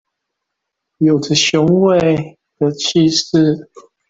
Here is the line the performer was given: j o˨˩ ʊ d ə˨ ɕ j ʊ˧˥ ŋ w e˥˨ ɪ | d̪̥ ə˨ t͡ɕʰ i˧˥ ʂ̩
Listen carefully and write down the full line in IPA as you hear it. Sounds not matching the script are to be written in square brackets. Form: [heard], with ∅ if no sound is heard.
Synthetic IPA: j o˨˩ ʊ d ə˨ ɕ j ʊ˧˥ ŋ w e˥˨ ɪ | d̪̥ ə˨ t͡ɕʰ [i˥˧] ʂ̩